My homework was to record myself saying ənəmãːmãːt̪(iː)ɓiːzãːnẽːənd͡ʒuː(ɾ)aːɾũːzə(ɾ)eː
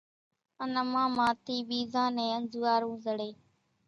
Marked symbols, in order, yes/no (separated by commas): yes, no, no